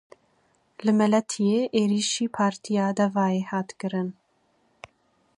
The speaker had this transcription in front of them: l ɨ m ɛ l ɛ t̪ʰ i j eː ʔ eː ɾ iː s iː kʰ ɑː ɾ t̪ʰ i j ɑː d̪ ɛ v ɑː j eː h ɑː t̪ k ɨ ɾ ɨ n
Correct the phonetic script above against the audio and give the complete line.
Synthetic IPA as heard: l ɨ m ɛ l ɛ t̪ʰ i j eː ʔ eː ɾ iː ʃ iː pʰ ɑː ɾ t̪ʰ i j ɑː d̪ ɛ v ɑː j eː h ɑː t̪ k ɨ ɾ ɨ n